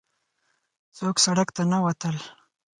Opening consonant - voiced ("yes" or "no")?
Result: no